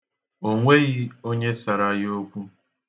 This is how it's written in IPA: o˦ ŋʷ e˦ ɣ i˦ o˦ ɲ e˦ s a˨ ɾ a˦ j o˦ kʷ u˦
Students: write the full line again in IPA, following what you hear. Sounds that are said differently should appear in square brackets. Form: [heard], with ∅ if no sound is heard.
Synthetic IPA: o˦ ŋʷ e˦ ɣ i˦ o˦ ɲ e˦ s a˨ ɾ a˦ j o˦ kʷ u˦